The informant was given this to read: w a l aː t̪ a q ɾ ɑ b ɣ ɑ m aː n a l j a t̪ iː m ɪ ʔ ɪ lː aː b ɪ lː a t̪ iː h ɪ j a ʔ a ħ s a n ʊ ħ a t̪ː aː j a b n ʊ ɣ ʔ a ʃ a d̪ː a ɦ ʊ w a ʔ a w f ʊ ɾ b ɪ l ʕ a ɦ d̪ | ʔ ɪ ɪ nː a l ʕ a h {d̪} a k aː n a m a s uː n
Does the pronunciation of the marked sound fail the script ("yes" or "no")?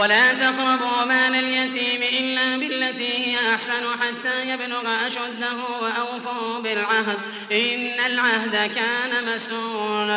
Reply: no